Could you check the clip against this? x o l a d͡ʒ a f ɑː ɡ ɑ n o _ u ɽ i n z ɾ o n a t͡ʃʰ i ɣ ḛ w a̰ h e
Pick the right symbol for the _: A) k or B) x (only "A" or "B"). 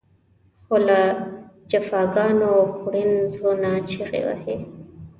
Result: B